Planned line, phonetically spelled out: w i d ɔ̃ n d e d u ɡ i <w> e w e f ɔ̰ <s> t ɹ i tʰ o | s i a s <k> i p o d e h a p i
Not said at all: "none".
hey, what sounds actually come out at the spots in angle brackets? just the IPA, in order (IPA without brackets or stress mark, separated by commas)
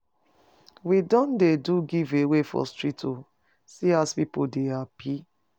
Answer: v, s, p